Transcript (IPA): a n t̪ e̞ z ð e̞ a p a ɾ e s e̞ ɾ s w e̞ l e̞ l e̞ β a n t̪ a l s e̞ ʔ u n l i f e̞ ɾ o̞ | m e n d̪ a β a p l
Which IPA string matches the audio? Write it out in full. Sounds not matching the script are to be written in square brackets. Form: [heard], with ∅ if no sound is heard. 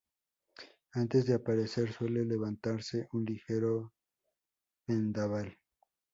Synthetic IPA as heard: a n t̪ e̞ z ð e̞ a p a ɾ e s e̞ ɾ s w e̞ l e̞ l e̞ β a n t̪ a [ɾ] s e̞ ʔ u n l i [x] e̞ ɾ o̞ | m e n d̪ a β a [∅] l